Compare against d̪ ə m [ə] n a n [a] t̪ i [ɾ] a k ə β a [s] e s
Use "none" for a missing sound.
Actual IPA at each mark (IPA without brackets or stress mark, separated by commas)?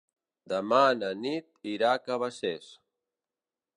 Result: a, i, ɾ, s